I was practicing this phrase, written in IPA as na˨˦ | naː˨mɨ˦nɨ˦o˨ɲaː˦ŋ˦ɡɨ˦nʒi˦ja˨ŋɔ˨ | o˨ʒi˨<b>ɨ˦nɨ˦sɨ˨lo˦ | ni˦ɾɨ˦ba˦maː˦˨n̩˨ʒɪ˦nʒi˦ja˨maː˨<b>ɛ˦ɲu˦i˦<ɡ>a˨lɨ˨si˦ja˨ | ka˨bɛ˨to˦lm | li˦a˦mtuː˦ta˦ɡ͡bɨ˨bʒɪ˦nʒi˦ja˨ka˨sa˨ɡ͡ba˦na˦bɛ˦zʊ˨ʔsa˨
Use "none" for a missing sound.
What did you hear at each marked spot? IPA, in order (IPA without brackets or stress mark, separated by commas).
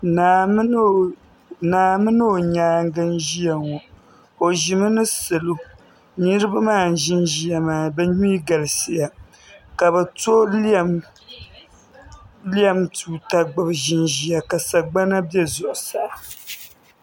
m, b, ɡ